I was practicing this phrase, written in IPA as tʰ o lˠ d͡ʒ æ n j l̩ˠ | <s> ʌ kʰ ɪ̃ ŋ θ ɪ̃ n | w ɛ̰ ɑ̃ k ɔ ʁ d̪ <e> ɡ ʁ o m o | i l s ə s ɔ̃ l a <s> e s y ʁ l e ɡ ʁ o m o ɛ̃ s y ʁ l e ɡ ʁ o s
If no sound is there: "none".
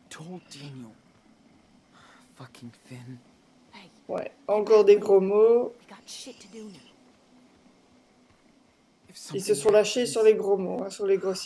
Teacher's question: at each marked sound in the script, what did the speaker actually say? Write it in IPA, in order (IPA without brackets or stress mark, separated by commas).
f, e, ʃ